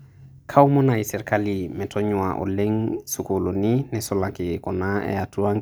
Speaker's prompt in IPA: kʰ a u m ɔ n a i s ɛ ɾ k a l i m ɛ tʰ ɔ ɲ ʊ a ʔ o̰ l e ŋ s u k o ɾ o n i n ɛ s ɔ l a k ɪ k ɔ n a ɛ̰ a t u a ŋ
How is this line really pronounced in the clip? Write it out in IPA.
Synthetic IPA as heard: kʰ a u m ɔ n a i s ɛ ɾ k a l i m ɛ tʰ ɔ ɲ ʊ a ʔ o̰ l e ŋ s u k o l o n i n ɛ s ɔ l a k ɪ k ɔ n a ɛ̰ a t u a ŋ